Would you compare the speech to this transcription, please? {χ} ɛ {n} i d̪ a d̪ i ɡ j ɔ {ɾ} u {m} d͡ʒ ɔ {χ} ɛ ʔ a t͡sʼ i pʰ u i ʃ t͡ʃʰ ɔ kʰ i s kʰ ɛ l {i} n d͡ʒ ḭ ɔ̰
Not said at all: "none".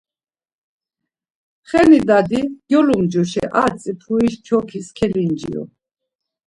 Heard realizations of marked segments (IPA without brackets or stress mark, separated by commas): χ, n, l, m, ʃ, i